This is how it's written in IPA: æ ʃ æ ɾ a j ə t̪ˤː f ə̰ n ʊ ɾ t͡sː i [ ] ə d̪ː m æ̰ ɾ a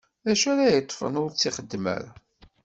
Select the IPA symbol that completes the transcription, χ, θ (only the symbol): χ